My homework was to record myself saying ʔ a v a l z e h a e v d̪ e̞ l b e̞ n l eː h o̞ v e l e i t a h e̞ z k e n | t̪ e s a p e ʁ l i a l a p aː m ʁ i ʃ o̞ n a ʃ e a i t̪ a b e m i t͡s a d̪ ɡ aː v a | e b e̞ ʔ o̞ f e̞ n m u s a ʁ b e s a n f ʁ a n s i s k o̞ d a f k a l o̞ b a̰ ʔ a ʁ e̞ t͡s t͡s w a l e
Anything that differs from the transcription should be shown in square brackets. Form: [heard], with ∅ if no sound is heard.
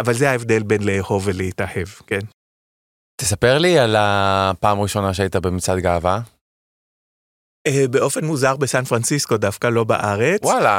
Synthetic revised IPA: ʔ a v a l z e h a e v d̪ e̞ l b e̞ n l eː h o̞ v e l e i t a h e̞ [v] k e n | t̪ e s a p e ʁ l i a l a p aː m ʁ i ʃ o̞ n a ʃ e a i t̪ a b e m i t͡s a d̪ ɡ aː v a | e b e̞ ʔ o̞ f e̞ n m u [z] a ʁ b e s a n f ʁ a n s i s k o̞ d a f k a l o̞ b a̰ ʔ a ʁ e̞ t͡s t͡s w a l [a]